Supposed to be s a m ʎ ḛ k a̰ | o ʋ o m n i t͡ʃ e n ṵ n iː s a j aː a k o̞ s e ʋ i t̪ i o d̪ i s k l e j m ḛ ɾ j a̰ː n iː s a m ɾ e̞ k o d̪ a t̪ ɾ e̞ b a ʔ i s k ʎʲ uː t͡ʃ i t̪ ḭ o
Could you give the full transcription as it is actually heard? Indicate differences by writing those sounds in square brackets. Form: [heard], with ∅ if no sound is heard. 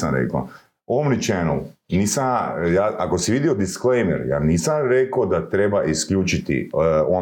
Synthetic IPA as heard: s a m [ɾ] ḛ k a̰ | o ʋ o m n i t͡ʃ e n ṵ n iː s a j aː a k o̞ s [i] ʋ i [d̪] i o d̪ i s k l e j m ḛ ɾ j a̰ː n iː s a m ɾ e̞ k o d̪ a t̪ ɾ e̞ b a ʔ i s k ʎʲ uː t͡ʃ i t̪ ḭ o